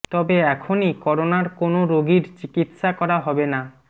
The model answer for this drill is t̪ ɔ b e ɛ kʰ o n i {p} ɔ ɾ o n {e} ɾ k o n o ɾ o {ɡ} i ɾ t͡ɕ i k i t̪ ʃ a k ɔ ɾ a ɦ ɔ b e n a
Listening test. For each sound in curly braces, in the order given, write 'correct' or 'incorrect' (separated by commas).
incorrect, incorrect, correct